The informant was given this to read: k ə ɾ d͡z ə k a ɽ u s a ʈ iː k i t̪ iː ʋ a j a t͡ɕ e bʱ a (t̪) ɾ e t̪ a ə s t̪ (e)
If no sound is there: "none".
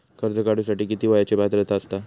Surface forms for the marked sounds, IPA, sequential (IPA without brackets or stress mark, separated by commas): t̪, a